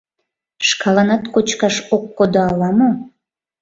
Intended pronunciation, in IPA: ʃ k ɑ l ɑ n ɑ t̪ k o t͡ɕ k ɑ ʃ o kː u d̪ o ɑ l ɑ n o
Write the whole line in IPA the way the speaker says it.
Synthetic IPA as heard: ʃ k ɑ l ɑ n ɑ t̪ k o t͡ɕ k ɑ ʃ o kː o d̪ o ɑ l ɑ m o